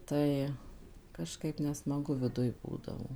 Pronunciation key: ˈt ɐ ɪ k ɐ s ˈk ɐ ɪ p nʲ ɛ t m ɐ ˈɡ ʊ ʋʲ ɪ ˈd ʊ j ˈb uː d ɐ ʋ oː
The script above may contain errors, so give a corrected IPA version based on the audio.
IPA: ˈt ɐ ɪ k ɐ ʃ ˈk ɐ ɪ p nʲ ɛ s m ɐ ˈɡ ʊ ʋʲ ɪ ˈd ʊ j ˈb uː d ɐ ʋ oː